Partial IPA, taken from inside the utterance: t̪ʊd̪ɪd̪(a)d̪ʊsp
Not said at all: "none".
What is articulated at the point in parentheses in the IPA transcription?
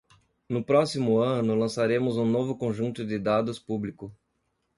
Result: a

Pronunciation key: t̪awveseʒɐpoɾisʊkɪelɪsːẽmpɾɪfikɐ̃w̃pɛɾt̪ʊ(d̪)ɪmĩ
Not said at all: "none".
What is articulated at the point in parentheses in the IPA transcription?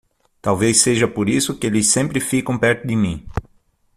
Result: d̪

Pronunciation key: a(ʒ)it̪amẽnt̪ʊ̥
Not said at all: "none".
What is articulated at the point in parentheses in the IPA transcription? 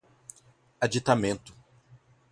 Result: d͡ʒ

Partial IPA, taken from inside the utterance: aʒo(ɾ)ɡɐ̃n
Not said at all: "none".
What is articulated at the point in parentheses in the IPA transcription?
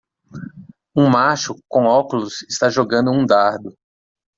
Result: none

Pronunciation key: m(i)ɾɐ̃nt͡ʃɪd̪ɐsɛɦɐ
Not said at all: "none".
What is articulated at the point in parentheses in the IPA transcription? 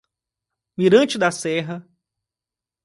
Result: i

